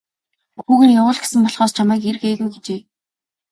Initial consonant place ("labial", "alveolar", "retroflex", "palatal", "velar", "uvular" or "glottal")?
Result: velar